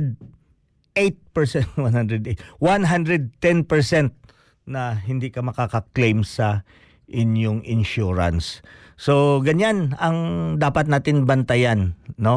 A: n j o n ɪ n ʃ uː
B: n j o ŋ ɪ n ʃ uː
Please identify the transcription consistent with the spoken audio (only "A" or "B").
B